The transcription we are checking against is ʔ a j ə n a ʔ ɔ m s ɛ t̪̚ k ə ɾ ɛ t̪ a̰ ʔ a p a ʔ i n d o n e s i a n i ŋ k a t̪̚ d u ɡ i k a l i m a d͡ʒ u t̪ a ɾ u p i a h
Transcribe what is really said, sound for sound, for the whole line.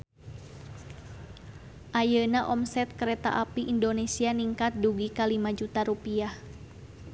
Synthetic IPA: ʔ a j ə n a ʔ ɔ m s ɛ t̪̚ k ə ɾ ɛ t̪ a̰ ʔ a p i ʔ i n d o n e s i a n i ŋ k a t̪̚ d u ɡ i k a l i m a d͡ʒ u t̪ a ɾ u p i a h